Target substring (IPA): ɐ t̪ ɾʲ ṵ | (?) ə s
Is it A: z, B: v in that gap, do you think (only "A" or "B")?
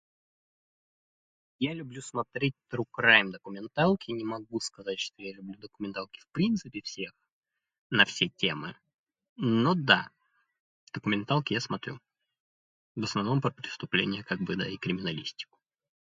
B